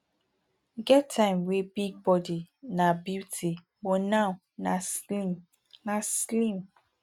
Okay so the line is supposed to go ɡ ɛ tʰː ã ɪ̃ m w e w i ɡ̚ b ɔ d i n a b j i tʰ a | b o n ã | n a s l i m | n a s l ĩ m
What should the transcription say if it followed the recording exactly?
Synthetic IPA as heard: ɡ ɛ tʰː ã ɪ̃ m w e b i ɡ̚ b ɔ d i n a b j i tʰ i | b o n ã | n a s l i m | n a s l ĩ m